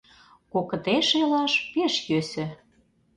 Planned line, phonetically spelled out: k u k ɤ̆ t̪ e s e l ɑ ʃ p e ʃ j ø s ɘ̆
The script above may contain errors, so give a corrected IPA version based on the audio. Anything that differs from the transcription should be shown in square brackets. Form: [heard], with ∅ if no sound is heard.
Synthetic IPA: k [o] k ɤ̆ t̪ e [ʃ] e l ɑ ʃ p e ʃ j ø s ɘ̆